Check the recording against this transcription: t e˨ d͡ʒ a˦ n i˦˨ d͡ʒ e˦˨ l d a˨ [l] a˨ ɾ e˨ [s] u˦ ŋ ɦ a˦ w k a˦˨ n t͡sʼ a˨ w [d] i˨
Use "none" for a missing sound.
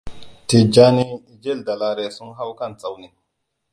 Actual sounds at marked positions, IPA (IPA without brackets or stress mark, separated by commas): l, s, n